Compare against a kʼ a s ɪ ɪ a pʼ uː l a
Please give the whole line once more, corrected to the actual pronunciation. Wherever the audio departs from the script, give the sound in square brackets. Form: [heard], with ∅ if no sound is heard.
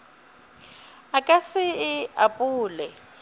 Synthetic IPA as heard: a kʼ a s ɪ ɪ a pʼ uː l [ɛ]